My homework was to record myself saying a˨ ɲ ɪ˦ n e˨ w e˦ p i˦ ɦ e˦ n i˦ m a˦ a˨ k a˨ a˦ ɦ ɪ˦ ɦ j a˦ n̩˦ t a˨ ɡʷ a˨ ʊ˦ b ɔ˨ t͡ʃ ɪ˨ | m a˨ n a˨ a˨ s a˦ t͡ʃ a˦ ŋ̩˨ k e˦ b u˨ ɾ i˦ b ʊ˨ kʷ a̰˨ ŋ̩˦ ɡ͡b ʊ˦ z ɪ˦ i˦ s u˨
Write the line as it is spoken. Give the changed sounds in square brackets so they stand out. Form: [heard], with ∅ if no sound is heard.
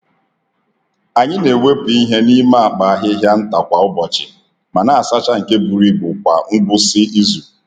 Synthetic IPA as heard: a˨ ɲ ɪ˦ n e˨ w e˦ p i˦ ɦ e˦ n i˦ m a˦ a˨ [k͡p] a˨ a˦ ɦ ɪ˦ ɦ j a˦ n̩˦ t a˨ [kʷ] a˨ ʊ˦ b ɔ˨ t͡ʃ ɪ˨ | m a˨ n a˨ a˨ s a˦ t͡ʃ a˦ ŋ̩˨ k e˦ b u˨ ɾ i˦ b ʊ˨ kʷ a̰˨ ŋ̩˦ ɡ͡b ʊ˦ [s] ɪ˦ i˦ [z] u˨